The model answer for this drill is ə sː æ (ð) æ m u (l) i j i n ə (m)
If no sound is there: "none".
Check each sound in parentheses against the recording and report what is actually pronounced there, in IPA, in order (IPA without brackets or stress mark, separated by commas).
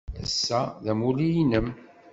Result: ð, l, m